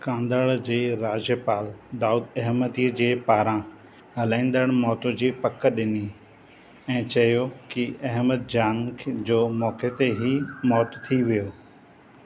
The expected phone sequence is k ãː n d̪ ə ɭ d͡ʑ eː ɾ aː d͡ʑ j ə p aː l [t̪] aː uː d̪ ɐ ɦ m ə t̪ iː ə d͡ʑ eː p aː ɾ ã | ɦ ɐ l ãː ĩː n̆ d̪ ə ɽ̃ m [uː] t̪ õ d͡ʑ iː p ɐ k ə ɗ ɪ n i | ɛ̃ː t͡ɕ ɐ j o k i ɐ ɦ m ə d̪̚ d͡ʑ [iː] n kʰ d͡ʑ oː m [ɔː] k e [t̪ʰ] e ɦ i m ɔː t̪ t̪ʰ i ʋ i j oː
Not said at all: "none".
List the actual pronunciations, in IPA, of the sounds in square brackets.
d̪, ɔː, aː, ɔː, t̪

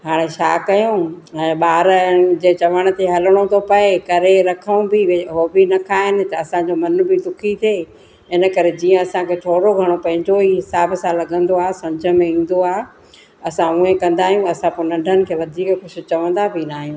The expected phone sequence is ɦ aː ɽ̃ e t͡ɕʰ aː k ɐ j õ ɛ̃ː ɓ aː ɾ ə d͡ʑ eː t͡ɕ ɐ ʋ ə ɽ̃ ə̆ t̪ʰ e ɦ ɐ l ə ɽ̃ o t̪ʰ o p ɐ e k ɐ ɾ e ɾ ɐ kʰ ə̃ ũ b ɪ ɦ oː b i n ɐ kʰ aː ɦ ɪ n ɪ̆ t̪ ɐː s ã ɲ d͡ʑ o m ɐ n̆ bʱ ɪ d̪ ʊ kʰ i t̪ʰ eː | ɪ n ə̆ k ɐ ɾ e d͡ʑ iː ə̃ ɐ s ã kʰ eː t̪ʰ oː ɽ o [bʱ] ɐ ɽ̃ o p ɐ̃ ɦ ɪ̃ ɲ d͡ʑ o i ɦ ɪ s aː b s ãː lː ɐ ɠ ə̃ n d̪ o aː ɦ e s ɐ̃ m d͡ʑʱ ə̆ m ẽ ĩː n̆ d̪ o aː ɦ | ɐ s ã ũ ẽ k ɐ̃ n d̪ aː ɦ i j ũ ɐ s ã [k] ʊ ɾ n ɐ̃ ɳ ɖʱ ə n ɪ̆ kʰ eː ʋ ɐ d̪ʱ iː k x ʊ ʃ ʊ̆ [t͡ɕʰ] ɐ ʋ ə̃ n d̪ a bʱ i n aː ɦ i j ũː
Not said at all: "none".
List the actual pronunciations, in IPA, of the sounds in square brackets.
ɡʱ, p, t͡ɕ

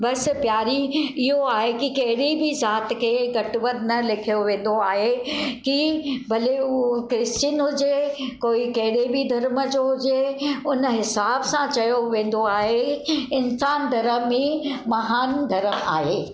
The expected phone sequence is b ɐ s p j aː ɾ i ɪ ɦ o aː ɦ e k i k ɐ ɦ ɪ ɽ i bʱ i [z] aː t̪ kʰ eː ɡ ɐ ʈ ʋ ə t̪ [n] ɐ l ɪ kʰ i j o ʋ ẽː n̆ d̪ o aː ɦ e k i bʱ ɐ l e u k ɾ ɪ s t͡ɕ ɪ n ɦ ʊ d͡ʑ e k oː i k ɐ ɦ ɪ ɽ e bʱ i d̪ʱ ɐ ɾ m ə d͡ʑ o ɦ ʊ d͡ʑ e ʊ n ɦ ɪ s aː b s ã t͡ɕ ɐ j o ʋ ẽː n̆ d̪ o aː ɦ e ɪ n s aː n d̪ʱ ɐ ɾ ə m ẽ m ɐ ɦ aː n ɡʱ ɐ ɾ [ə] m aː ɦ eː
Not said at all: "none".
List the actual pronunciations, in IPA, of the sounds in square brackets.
z, n, ə

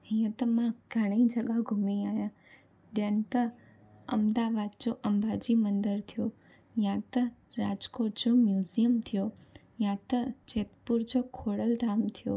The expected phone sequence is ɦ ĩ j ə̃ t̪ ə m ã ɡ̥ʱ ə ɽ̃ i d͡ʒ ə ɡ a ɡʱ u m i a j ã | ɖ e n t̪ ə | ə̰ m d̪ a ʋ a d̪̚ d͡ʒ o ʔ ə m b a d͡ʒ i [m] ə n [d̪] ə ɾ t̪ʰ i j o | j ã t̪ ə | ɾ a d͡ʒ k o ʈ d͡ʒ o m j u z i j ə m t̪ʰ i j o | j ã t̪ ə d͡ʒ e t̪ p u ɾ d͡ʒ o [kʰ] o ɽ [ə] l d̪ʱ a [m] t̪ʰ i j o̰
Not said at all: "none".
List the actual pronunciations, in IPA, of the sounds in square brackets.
m, d̪, kʰ, ə, m

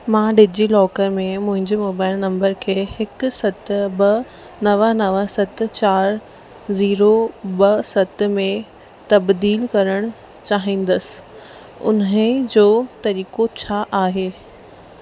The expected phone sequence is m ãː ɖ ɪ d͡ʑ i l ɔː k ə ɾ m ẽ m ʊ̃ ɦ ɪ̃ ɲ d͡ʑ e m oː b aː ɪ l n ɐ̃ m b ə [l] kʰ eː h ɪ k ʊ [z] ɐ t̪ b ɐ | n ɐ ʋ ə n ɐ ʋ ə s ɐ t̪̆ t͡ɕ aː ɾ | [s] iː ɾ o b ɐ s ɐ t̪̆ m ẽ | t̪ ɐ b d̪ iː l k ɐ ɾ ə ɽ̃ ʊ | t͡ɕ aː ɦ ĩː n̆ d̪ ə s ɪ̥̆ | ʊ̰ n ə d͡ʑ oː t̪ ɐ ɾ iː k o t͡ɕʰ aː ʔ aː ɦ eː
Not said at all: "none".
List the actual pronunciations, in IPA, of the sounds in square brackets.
ɾ, s, z

